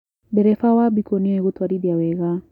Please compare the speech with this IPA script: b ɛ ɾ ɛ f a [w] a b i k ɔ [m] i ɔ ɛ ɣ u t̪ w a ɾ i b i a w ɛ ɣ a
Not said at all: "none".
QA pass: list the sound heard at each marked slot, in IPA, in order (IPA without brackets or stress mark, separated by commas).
w, n